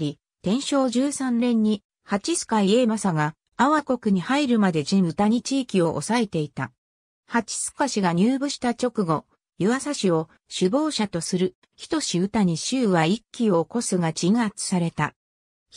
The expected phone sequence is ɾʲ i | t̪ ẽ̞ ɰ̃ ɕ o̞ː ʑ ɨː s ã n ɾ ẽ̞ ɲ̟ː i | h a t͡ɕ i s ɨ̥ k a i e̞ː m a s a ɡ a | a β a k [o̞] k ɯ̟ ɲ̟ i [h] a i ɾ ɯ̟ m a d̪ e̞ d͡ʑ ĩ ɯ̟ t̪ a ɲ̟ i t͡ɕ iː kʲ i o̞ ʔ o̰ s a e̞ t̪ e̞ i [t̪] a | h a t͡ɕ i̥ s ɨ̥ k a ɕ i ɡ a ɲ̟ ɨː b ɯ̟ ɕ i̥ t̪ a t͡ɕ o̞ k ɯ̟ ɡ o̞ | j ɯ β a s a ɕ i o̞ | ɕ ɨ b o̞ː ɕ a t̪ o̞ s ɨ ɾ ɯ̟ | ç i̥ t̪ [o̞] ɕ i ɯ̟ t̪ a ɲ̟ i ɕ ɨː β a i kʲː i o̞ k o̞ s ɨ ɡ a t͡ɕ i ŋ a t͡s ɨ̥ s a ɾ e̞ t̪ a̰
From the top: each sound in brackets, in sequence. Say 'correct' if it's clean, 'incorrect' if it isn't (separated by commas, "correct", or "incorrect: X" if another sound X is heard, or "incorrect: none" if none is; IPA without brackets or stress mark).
correct, correct, correct, correct